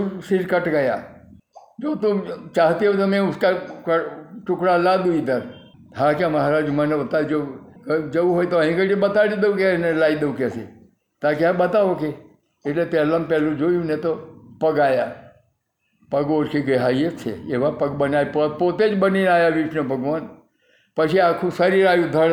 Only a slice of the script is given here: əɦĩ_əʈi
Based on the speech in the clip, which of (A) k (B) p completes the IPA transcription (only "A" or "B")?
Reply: A